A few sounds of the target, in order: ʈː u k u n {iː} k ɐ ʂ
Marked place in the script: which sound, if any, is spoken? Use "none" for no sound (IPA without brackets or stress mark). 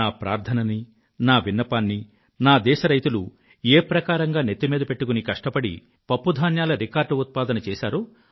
i